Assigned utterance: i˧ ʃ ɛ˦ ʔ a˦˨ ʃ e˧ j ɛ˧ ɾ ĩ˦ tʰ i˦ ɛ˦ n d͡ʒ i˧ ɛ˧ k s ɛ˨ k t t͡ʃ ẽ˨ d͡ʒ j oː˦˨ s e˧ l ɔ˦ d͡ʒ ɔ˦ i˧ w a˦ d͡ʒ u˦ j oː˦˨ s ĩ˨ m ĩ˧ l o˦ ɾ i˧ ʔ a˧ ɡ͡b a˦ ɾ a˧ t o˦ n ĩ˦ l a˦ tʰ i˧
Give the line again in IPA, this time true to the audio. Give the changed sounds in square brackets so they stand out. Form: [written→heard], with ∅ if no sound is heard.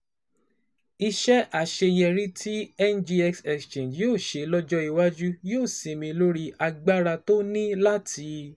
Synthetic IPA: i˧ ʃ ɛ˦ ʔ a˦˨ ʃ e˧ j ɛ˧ ɾ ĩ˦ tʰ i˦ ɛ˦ n d͡ʒ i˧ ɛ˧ k s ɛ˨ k [t→s] t͡ʃ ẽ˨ d͡ʒ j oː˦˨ [s→ʃ] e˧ l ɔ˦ d͡ʒ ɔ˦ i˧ w a˦ d͡ʒ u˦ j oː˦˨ s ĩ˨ m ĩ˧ l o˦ ɾ i˧ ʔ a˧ ɡ͡b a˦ ɾ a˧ t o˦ n ĩ˦ l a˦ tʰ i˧

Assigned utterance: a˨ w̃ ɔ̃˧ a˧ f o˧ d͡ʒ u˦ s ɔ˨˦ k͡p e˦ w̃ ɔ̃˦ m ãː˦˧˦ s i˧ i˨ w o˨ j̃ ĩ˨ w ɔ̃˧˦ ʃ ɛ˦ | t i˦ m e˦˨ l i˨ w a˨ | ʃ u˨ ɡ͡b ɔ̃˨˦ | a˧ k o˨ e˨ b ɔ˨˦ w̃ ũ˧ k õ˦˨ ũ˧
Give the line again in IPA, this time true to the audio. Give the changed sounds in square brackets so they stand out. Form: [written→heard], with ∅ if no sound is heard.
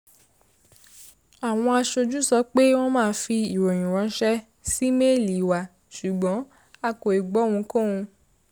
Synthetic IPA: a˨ w̃ ɔ̃˧ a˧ [f→ʃ] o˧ d͡ʒ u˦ s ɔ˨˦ k͡p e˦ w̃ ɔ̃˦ m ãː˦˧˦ [s→f] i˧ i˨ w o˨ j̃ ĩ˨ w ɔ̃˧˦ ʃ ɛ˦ | [t→s] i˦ m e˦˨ l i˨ w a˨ | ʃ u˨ ɡ͡b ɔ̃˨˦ | a˧ k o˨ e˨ [b→ɡ͡b] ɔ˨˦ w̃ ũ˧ k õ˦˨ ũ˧

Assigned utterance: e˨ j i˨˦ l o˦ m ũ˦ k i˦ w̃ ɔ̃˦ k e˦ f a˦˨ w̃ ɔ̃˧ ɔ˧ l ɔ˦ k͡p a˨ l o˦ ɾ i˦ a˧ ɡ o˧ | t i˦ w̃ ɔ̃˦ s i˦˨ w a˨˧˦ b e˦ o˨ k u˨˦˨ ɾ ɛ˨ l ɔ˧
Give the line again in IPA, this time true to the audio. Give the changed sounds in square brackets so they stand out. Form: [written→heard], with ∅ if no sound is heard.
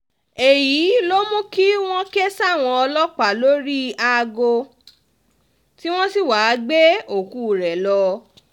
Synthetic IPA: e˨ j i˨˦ l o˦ m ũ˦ k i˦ w̃ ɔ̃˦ k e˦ [f→s] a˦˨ w̃ ɔ̃˧ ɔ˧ l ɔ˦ k͡p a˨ l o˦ ɾ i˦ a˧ ɡ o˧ | t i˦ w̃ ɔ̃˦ s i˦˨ w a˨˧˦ [b→ɡ͡b] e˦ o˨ k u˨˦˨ ɾ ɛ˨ l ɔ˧

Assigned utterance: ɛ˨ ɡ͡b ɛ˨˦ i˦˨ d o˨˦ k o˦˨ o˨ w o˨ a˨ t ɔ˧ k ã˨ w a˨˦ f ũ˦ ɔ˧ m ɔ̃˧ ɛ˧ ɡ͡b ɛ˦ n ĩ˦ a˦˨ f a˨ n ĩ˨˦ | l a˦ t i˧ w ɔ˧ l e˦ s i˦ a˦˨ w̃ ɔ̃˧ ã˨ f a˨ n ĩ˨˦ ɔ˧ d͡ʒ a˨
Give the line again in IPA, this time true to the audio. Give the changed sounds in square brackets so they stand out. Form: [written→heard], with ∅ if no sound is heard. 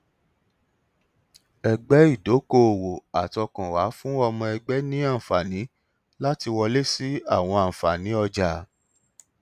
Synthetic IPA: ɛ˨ ɡ͡b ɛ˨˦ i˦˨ d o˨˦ k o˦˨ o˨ w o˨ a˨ t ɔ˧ k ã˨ w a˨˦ f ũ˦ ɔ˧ m ɔ̃˧ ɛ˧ ɡ͡b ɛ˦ n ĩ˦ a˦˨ f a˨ n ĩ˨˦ | l a˦ t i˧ w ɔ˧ l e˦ s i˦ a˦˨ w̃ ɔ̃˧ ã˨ f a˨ n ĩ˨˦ ɔ˧ d͡ʒ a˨

